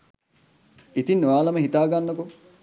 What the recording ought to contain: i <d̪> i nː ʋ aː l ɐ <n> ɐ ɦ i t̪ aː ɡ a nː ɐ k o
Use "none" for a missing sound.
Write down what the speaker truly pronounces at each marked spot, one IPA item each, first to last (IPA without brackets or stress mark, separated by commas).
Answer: t̪, m